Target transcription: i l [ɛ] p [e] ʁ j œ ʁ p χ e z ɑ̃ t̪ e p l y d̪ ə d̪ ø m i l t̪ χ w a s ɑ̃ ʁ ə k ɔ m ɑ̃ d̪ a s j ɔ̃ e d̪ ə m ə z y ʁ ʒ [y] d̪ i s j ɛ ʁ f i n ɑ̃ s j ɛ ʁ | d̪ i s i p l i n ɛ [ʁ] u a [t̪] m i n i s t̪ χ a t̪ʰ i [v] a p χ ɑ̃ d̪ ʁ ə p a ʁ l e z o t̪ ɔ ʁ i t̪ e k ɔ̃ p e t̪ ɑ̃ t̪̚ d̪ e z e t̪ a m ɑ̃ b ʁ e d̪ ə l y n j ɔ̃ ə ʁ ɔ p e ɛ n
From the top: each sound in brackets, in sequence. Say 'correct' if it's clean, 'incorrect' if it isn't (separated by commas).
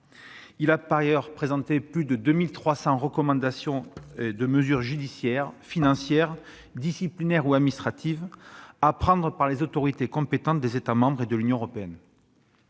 incorrect, incorrect, correct, correct, incorrect, correct